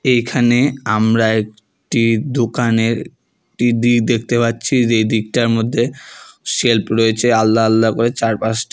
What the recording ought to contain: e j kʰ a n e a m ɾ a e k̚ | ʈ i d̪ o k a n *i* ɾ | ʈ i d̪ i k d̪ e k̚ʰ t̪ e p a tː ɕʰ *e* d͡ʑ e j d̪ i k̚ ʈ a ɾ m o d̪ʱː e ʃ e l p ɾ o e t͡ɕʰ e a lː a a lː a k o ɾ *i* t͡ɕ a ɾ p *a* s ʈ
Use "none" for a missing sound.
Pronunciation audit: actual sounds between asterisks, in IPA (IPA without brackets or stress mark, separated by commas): e, i, e, a